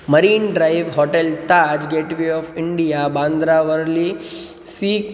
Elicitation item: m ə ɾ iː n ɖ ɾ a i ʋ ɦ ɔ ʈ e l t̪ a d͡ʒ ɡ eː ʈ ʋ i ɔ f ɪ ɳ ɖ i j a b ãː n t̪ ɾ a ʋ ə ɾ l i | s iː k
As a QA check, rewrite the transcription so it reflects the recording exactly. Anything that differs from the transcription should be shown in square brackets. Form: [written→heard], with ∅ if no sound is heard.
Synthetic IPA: m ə ɾ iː n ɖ ɾ a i ʋ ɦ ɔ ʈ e l t̪ a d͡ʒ ɡ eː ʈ ʋ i ɔ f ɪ ɳ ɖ i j a b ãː n [t̪→d̪] ɾ a ʋ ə ɾ l i | s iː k